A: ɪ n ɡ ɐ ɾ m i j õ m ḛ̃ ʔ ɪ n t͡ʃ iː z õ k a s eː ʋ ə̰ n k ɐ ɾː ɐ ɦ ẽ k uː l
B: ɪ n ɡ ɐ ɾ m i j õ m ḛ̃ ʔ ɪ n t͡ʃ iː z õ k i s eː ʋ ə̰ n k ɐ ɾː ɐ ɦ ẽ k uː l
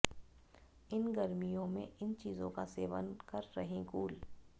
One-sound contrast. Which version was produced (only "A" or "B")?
A